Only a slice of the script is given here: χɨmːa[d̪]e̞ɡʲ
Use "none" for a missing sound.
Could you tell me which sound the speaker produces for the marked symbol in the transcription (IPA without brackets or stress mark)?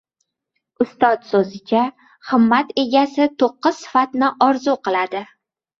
t̪